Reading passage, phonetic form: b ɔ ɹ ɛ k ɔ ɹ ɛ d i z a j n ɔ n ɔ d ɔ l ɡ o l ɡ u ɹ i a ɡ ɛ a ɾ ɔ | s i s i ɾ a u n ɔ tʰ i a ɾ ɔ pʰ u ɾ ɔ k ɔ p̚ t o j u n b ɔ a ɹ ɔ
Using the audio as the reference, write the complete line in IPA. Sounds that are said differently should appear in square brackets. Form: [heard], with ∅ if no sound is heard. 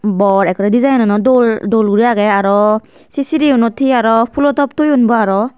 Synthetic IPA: b ɔ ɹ ɛ k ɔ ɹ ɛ d i z a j n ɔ n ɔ d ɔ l [d] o l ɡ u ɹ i a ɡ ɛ a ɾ ɔ | s i s i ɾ [i] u n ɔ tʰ i a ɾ ɔ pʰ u [l] ɔ [t] ɔ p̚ t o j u n b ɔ a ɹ ɔ

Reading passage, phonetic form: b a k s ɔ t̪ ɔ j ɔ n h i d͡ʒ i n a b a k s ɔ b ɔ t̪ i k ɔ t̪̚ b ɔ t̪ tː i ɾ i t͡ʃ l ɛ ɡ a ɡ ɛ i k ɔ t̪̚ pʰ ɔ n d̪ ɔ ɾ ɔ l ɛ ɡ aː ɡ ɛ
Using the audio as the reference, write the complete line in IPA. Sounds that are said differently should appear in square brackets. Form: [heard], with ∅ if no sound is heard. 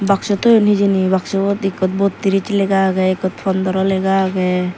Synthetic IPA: b a k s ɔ t̪ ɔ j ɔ n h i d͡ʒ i n [i] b a k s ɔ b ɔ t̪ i k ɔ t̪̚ b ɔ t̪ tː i ɾ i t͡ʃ l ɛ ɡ a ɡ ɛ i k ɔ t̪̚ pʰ ɔ n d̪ ɔ ɾ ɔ l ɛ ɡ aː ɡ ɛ

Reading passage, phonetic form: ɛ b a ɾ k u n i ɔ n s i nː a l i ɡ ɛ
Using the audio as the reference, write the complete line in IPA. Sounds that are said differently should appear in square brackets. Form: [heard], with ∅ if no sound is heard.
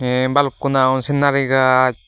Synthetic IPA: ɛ b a [l] k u n [a] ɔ n s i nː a [ɾ] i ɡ [a]

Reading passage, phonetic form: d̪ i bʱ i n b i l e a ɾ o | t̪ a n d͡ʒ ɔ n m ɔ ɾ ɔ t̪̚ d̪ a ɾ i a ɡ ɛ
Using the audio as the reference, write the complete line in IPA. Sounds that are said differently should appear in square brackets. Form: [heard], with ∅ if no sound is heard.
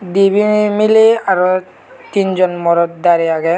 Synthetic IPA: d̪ i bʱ i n [m] i l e a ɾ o | t̪ [i] n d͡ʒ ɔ n m ɔ ɾ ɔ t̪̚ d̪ a ɾ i a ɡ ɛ

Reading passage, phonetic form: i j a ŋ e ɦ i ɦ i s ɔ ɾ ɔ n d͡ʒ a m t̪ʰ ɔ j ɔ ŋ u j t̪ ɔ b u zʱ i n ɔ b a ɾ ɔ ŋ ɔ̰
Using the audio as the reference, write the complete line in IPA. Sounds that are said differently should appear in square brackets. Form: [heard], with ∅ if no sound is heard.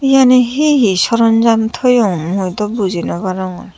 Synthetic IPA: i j a [n] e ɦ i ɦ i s ɔ ɾ ɔ n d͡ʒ a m t̪ʰ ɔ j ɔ [m] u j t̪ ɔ b u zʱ i n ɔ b a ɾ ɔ ŋ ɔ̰

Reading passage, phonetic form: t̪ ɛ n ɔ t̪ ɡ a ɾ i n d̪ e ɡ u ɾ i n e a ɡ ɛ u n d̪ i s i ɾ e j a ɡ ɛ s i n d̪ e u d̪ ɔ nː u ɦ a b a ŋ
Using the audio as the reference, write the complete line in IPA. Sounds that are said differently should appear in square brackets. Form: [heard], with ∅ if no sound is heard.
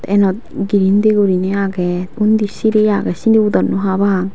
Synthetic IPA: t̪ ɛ n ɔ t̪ ɡ [i] ɾ i n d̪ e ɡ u ɾ i n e a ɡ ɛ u n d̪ i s i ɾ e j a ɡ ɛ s i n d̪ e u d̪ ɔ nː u ɦ a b a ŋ

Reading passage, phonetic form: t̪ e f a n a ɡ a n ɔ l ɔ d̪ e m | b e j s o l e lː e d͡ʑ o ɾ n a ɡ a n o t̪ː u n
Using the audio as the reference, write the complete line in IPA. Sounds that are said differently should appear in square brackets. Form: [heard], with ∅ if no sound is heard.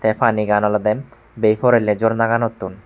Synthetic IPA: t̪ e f a n [i] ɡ a n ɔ l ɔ d̪ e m | b e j [f] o [ɾ] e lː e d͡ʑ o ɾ n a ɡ a n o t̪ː u n

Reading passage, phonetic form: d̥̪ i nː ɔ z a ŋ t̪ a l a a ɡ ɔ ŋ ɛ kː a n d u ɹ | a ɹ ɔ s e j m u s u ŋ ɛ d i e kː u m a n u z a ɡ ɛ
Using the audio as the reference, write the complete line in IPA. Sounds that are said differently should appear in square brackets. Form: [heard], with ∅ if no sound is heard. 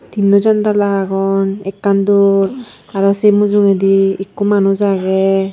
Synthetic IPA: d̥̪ i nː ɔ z a [n] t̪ a l a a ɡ ɔ [n] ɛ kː a n d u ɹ | a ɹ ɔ s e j m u [z] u ŋ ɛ d i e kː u m a n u z a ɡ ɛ

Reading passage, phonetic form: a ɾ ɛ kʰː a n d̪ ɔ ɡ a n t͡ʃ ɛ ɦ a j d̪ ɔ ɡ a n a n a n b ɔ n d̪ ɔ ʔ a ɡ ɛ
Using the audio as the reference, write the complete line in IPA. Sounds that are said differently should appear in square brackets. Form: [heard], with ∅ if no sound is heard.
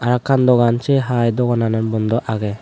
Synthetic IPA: a ɾ [a] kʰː a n d̪ ɔ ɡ a n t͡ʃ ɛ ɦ a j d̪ ɔ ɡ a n a n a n b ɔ n d̪ ɔ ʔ a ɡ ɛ

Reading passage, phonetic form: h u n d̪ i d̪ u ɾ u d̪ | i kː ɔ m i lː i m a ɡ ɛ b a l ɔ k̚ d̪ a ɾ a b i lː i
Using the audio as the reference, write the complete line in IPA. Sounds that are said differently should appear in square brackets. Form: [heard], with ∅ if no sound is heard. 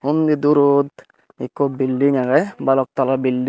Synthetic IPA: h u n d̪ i d̪ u ɾ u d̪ | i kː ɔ [b] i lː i [ŋ] a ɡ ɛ b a l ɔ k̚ [t̪] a [l] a b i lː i

